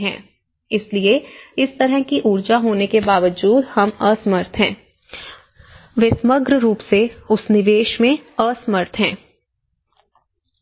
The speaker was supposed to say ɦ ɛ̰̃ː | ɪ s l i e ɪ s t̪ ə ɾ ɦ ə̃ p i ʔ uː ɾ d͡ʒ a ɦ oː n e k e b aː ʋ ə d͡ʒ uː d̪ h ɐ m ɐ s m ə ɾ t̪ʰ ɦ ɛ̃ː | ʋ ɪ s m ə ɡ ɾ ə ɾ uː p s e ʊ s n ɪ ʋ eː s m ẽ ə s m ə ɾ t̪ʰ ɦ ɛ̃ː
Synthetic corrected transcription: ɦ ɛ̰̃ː | ɪ s l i e ɪ s t̪ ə ɾ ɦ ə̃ k i ʔ uː ɾ d͡ʒ a ɦ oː n e k e b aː ʋ ə d͡ʒ uː d̪ h ɐ m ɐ s m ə ɾ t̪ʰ ɦ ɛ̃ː | ʋ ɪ s m ə ɡ ɾ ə ɾ uː p s e ʊ s n ɪ ʋ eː ʃ m ẽ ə s m ə ɾ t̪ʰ ɦ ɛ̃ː

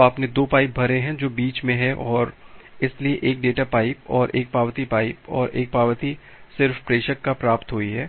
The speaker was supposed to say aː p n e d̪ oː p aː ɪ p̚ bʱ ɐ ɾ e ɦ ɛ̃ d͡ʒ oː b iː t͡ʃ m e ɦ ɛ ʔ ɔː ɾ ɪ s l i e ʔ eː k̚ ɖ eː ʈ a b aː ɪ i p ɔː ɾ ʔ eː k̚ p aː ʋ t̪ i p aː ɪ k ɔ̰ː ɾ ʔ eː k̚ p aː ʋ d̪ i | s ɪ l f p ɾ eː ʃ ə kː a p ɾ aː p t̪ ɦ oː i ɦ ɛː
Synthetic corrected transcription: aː p n e d̪ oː p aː ɪ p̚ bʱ ɐ ɾ e ɦ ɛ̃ d͡ʒ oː b iː t͡ʃ m ẽ ɦ ɛ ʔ ɔː ɾ ɪ s l i e ʔ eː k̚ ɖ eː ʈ a p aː ɪ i p ɔː ɾ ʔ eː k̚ p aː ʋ t̪ i p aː ɪ p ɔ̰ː ɾ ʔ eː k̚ p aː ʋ t̪ i | s ɪ ɾ f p ɾ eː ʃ ə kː a p ɾ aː p t̪ ɦ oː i ɦ ɛː

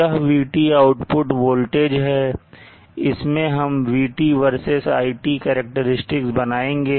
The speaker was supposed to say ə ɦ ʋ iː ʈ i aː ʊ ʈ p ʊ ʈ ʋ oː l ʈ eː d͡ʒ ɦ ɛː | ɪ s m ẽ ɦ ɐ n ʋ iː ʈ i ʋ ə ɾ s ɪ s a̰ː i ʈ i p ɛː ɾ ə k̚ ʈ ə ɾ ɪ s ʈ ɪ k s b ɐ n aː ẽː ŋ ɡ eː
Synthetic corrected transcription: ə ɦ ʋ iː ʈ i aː ʊ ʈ p ʊ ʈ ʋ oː l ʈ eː d͡ʒ ɦ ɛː | ɪ s m ẽ ɦ ɐ m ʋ iː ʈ i ʋ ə ɾ s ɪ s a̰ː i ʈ i k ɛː ɾ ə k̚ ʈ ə ɾ ɪ s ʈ ɪ k s b ɐ n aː ẽː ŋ ɡ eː

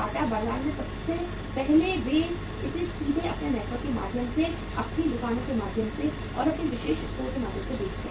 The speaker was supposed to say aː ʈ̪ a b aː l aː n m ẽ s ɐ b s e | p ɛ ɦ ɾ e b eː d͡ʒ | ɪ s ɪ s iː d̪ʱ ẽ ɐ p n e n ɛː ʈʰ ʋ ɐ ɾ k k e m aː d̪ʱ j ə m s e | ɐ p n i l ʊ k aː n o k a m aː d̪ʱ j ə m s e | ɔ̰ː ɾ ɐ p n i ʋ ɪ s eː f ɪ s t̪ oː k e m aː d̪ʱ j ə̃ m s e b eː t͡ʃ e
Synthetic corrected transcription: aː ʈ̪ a b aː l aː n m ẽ s ɐ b s e | p ɛ ɦ l e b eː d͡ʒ | ɪ s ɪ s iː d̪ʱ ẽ ɐ p n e n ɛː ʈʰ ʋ ə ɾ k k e m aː d̪ʱ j ə m s e | ɐ p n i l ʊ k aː n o k e m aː d̪ʱ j ə m s e | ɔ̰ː ɾ ɐ p n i ʋ ɪ ʃ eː ʃ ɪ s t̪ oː k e m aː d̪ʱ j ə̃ m s e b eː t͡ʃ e

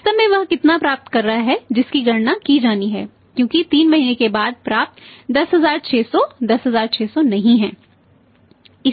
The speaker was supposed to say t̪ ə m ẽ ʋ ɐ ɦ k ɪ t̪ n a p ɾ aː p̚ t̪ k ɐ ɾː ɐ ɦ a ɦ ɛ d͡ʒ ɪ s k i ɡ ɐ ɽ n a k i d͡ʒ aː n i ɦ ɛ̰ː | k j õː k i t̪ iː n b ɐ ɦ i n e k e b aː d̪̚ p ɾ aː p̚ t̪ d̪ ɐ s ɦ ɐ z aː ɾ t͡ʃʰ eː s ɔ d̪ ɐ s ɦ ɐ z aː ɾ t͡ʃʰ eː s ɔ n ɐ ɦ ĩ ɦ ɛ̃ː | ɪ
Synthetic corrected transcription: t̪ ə m ẽ ʋ ɐ ɦ k ɪ t̪ n a p ɾ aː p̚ t̪ k ɐ ɾː ɐ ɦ a ɦ ɛ d͡ʒ ɪ s k i ɡ ɐ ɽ n a k i d͡ʒ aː n i ɦ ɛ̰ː | k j õː k i t̪ iː n m ɐ ɦ i n e k e b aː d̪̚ p ɾ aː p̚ t̪ d̪ ɐ s ɦ ɐ z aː ɾ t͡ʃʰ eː s ɔ d̪ ɐ s ɦ ɐ z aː ɾ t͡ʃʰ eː s ɔ n ɐ ɦ ĩ ɦ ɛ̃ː | ɪ

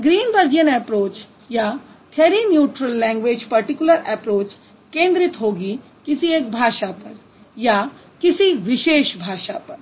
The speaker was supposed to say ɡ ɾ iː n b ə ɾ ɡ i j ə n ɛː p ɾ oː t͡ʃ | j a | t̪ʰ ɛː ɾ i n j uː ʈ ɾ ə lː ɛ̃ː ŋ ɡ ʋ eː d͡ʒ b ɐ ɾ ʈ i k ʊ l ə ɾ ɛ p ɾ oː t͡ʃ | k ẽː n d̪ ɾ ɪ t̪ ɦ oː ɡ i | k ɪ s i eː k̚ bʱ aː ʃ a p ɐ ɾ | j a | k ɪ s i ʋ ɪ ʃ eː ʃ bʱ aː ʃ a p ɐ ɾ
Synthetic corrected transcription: ɡ ɾ iː n b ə ɾ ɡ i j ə n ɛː p ɾ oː t͡ʃ | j a | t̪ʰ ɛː ɾ i n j uː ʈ ɾ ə lː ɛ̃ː ŋ ɡ ʋ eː d͡ʒ p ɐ ɾ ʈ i k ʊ l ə ɾ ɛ p ɾ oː t͡ʃ | k ẽː n d̪ ɾ ɪ t̪ ɦ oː ɡ i | k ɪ s i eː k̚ bʱ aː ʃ a p ɐ ɾ | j a | k ɪ s i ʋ ɪ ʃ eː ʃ bʱ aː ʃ a p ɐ ɾ

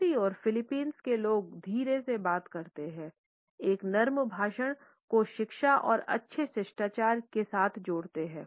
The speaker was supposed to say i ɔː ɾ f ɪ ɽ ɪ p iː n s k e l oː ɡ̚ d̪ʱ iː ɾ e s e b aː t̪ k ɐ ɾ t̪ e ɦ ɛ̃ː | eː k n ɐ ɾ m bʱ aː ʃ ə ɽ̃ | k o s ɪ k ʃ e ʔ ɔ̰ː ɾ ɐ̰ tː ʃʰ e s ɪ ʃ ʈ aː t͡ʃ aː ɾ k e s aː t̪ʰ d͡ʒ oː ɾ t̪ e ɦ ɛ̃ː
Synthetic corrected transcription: i ɔː ɾ f ɪ l ɪ p iː n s k e l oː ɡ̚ d̪ʱ iː ɾ e s e b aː t̪ k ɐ ɾ t̪ e ɦ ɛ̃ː | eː k n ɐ ɾ m bʱ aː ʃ ə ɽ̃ | k o ʃ ɪ k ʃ a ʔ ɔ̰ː ɾ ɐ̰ tː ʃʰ e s ɪ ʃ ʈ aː t͡ʃ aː ɾ k e s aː t̪ʰ d͡ʒ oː ɽ t̪ e ɦ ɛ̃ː

